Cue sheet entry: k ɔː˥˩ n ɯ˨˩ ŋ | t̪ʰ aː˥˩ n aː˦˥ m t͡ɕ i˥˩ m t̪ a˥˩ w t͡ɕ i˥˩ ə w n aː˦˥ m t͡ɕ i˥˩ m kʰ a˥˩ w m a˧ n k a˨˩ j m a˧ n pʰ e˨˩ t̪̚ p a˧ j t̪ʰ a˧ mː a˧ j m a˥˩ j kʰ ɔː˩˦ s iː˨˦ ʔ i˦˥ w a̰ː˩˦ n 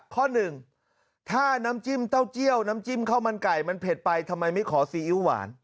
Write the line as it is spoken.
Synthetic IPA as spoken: kʰ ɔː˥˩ n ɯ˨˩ ŋ | t̪ʰ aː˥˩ n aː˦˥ m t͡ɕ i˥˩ m t̪ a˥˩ w t͡ɕ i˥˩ ə w n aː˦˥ m t͡ɕ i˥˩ m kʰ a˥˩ w m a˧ n k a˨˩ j m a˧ n pʰ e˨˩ t̪̚ p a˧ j t̪ʰ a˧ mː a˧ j m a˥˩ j kʰ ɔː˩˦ s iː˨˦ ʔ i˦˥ w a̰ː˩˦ n